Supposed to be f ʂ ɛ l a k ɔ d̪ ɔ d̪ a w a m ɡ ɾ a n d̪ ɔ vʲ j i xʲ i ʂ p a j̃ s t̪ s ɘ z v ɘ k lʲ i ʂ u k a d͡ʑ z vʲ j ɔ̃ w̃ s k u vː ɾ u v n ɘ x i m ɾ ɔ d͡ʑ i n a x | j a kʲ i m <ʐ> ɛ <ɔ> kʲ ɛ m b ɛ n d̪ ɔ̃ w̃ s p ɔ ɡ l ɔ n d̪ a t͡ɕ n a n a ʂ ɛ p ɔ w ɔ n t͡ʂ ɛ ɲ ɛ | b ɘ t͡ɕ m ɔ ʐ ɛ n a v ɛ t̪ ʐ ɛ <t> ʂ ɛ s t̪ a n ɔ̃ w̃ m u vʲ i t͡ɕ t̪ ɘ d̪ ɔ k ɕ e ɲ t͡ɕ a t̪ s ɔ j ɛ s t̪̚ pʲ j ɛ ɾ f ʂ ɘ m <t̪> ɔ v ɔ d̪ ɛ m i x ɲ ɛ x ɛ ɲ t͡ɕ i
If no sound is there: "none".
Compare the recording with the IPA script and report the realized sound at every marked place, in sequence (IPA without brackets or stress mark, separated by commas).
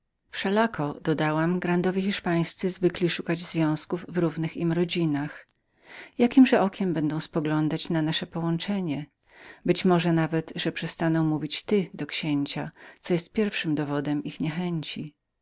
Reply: ʐ, ɔ, p, d̪